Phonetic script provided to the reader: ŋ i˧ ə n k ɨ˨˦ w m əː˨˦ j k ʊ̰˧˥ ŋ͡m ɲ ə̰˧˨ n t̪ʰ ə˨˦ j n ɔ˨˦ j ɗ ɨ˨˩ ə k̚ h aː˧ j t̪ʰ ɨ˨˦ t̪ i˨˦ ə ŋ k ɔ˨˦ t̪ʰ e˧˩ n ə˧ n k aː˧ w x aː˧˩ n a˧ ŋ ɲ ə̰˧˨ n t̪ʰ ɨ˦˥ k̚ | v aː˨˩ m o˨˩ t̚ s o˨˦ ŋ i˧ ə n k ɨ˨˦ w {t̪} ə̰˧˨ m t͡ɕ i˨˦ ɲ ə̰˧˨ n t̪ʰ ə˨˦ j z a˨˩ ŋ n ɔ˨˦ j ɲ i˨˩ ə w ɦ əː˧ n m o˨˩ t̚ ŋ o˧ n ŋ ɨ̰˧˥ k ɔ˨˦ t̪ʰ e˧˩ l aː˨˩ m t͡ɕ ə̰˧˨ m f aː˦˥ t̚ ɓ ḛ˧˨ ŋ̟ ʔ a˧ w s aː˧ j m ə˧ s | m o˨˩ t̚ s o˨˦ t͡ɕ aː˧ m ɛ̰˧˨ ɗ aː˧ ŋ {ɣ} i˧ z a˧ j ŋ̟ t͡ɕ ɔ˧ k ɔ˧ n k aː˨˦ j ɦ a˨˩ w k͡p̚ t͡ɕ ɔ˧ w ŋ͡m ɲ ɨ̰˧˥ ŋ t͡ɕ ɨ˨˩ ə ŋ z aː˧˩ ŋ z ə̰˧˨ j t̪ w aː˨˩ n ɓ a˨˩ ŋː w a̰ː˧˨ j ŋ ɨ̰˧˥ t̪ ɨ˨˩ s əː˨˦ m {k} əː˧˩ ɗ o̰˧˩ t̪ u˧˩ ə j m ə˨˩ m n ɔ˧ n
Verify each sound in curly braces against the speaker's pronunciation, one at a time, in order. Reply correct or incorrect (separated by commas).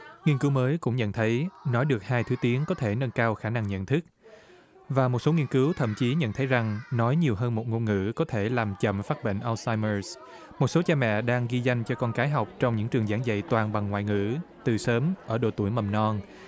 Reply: incorrect, correct, incorrect